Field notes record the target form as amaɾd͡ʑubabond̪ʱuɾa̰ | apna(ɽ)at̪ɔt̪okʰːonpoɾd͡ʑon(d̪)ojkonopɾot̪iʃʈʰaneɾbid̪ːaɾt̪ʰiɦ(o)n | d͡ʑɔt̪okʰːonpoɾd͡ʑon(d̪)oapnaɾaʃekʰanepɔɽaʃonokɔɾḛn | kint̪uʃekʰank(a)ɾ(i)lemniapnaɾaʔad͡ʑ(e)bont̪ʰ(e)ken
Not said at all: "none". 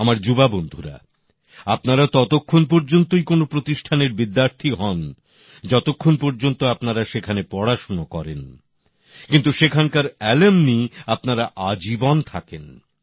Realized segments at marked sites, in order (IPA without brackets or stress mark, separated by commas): ɾ, t̪, ɔ, t̪, a, ɛ, i, a